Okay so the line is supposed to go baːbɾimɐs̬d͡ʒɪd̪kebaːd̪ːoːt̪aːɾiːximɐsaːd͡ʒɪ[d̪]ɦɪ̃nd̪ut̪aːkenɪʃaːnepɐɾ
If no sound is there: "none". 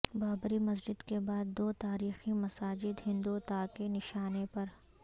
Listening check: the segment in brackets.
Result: d̪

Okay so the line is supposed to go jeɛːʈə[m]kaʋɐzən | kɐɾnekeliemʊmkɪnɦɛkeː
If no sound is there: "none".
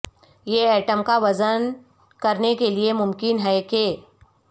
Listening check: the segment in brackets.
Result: m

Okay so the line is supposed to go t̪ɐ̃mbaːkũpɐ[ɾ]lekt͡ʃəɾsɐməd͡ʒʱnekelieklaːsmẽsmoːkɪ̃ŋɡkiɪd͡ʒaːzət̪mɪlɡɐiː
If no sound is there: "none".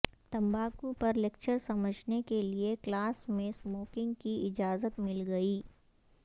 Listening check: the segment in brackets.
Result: ɾ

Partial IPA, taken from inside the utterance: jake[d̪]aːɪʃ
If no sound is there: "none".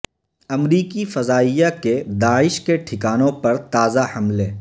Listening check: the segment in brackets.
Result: d̪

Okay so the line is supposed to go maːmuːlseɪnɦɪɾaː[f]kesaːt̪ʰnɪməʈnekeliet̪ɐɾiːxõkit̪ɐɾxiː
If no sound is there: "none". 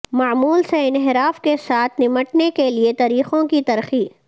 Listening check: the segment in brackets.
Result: f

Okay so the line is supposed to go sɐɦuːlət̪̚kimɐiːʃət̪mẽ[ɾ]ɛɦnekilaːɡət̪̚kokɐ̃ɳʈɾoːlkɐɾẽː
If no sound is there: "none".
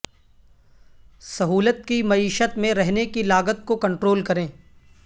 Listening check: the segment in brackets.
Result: ɾ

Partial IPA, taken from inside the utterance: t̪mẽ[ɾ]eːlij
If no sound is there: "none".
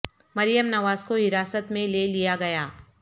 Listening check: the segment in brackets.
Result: l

